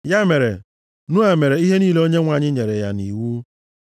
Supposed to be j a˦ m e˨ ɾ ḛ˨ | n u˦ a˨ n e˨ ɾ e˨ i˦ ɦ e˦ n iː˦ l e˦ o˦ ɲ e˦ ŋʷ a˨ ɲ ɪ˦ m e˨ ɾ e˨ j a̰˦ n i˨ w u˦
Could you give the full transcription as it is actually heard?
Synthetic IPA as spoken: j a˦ m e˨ ɾ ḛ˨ | n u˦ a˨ m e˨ ɾ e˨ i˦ ɦ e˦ n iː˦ l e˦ o˦ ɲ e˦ ŋʷ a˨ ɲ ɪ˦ ɲ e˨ ɾ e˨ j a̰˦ n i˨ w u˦